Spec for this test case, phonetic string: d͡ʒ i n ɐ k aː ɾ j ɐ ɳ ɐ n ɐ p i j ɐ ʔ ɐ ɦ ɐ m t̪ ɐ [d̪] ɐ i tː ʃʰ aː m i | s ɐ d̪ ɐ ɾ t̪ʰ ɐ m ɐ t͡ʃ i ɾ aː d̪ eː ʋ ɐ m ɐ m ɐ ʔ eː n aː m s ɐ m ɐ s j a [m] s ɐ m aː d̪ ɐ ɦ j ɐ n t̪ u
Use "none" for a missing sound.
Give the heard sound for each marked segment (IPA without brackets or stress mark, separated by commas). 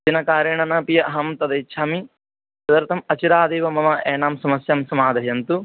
d̪, m